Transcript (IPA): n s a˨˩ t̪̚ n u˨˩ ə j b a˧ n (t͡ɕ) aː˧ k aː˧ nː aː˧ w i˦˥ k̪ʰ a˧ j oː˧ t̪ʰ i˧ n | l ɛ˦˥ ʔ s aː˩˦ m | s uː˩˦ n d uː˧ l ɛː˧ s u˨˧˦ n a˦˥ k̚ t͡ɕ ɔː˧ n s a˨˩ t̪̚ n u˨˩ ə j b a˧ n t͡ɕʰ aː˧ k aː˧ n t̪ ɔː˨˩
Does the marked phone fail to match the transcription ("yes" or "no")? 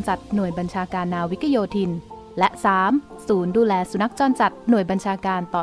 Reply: yes